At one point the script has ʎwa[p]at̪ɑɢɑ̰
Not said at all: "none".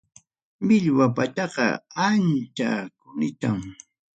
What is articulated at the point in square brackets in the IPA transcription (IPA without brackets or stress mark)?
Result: p